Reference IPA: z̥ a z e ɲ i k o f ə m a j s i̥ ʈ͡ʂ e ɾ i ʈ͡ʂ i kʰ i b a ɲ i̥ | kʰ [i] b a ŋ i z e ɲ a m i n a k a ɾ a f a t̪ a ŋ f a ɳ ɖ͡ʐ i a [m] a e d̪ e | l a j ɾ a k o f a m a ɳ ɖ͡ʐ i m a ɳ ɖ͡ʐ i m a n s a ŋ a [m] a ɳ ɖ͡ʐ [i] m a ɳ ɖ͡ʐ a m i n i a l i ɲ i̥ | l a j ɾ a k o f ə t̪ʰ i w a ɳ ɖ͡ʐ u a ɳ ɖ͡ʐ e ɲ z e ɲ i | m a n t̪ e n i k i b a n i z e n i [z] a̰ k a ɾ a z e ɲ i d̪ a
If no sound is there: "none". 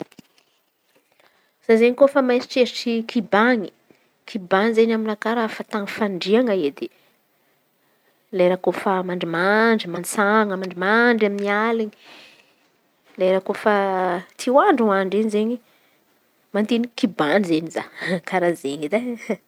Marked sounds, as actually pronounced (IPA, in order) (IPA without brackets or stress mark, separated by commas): i, ŋ, m, i, z